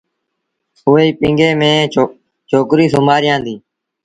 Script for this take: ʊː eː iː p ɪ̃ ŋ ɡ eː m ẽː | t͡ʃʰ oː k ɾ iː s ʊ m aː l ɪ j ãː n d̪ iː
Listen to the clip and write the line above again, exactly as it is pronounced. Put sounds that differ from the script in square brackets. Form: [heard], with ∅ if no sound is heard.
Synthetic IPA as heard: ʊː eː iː p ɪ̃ ŋ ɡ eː m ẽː | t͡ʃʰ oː k ɾ iː s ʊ m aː [ɾ] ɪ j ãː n d̪ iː